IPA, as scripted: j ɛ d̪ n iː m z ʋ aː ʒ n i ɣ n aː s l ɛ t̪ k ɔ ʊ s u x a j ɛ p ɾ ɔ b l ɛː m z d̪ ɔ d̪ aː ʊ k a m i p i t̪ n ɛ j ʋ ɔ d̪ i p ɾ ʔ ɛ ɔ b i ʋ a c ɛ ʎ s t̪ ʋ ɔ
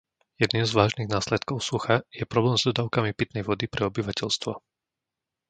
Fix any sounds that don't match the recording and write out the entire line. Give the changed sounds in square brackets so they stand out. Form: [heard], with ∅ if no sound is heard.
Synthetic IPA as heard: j ɛ d̪ n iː m z ʋ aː ʒ n i ɣ n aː s l ɛ t̪ k ɔ ʊ s u x a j ɛ p ɾ ɔ b l ɛː m z d̪ ɔ d̪ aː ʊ k a m i p i t̪ n ɛ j ʋ ɔ d̪ i p ɾ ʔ ɛ ɔ b i ʋ a c ɛ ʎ s t̪ ʋ ɔ